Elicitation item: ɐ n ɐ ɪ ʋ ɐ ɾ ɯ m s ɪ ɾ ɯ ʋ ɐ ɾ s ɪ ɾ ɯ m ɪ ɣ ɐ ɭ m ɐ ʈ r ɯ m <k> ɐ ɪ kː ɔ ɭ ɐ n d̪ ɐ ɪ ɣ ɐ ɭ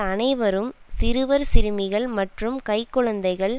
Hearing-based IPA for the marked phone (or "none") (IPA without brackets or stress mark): k